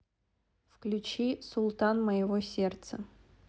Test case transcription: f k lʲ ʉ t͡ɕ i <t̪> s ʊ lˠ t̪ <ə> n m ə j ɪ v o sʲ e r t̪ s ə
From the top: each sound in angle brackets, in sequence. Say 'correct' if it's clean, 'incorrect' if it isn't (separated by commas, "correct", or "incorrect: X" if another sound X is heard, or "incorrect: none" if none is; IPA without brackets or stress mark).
incorrect: none, incorrect: a